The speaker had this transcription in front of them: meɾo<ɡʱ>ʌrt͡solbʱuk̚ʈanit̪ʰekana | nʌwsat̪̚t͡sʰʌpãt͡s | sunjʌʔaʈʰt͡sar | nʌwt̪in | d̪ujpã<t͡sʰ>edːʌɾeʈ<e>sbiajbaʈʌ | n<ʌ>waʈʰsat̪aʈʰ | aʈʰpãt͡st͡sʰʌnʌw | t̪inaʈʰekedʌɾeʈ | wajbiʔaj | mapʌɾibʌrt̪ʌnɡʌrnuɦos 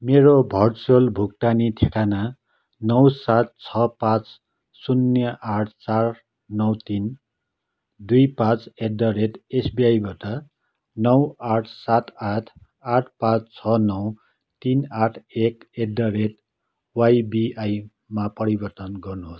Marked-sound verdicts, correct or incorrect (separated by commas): incorrect, incorrect, correct, correct